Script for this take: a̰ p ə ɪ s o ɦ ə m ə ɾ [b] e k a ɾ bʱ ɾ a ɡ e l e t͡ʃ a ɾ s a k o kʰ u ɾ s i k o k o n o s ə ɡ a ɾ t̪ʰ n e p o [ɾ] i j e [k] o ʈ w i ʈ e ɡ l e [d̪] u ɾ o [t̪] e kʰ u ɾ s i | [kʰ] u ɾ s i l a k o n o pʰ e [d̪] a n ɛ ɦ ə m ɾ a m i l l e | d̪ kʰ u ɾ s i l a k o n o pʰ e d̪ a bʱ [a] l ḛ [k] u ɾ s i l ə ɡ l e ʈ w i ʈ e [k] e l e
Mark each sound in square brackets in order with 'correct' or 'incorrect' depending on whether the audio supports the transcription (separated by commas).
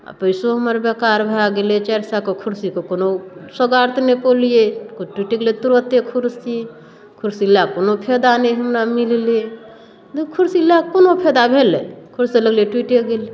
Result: correct, incorrect, correct, incorrect, correct, correct, correct, incorrect, incorrect, incorrect